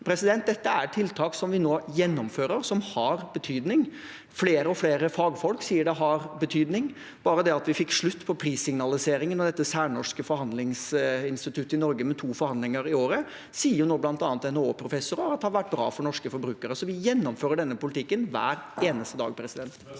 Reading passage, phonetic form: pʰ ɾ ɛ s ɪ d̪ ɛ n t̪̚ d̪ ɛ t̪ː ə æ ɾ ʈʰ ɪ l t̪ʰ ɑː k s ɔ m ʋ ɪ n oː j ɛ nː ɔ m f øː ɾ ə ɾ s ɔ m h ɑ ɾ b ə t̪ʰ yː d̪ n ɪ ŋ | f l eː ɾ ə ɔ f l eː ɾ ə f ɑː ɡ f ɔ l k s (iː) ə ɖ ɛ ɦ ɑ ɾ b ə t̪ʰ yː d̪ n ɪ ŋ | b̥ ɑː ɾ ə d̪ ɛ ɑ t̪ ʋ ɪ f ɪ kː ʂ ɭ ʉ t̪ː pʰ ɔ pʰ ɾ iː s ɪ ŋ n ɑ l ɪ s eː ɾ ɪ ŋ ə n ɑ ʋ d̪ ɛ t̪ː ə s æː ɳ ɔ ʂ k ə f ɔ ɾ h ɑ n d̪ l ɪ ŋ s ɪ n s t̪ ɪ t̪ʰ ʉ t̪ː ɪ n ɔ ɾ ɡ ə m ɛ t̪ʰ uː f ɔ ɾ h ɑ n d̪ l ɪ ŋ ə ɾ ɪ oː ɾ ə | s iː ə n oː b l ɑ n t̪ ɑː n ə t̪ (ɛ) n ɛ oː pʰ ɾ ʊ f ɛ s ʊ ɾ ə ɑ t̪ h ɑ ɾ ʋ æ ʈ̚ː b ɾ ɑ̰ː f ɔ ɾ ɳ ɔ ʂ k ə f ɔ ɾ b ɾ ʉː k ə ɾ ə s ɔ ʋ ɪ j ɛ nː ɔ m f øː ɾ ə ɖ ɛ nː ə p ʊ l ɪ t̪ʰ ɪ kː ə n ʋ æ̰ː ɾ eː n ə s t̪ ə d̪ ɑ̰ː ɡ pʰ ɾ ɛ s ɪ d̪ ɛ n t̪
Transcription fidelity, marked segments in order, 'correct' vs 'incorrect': correct, correct

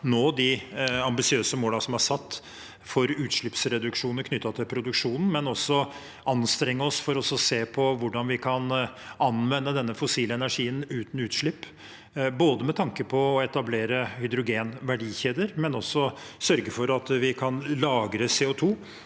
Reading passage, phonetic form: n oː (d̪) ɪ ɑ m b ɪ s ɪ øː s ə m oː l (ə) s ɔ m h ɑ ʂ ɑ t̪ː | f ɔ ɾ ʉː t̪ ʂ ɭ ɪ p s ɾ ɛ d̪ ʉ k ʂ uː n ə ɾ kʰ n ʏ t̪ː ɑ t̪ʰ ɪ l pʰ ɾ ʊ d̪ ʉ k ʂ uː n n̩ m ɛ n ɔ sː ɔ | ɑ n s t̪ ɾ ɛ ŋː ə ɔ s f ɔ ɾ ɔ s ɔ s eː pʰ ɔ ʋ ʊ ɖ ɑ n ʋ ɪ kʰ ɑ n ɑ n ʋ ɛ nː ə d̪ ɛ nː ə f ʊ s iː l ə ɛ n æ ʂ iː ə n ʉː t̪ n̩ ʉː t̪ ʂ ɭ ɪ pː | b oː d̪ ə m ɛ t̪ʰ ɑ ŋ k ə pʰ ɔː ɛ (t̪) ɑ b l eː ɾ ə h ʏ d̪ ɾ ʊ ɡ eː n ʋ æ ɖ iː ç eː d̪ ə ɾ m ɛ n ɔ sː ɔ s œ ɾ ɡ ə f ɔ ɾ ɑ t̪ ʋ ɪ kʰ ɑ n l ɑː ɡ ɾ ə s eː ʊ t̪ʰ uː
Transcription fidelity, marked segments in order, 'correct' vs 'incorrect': correct, incorrect: ɑ, correct

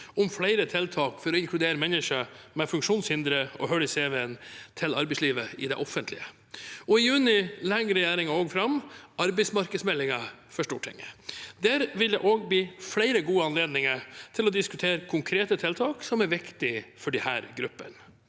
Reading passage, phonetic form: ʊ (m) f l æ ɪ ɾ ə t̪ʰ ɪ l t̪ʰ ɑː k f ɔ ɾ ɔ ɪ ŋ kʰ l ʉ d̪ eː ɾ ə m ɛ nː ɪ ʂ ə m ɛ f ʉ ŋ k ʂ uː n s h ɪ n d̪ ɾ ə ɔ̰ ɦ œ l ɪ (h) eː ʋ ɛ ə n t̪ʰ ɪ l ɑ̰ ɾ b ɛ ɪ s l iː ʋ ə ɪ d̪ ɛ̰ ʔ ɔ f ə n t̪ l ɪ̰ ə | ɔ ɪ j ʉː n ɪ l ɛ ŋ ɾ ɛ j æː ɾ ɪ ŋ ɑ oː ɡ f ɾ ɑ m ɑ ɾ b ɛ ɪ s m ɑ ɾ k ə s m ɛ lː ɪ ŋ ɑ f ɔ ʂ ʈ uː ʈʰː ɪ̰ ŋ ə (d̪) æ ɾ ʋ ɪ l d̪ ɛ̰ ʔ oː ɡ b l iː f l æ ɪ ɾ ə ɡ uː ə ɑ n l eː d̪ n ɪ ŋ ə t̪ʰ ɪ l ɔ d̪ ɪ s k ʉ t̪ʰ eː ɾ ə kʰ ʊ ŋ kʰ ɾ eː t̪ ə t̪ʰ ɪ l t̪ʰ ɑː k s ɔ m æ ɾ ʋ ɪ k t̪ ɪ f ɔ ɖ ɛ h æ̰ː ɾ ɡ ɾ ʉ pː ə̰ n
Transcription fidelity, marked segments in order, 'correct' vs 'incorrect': correct, incorrect: s, correct

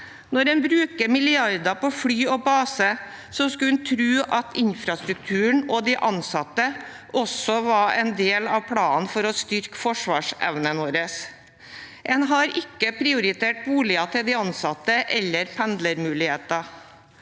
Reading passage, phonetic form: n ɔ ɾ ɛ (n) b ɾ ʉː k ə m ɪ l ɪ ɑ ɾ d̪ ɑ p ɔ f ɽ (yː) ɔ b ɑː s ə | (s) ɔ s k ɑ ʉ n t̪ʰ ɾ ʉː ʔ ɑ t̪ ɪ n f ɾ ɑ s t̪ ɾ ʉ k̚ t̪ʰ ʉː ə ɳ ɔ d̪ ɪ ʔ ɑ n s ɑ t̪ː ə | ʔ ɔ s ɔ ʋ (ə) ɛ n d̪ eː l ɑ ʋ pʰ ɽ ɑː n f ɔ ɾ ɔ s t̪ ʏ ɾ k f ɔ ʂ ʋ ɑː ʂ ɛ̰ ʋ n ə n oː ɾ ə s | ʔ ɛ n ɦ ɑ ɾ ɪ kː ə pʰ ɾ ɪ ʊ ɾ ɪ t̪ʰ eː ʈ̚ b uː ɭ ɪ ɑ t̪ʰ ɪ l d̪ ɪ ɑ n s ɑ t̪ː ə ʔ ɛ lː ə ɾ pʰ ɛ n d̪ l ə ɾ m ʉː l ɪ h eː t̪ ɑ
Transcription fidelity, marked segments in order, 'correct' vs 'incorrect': correct, correct, correct, incorrect: ɑ

